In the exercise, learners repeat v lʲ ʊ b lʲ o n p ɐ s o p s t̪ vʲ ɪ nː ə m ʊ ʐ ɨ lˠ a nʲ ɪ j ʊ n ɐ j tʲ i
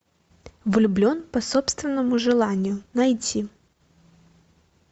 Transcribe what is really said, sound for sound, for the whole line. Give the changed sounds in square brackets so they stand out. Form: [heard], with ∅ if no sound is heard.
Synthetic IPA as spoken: v lʲ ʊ b lʲ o n p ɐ s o p s t̪ vʲ ɪ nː ə m ʊ ʐ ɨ lˠ a nʲ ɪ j ʊ n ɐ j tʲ i